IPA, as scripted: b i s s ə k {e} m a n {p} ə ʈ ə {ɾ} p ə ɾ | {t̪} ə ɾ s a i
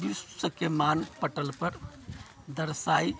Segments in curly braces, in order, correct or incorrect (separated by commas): correct, correct, incorrect, incorrect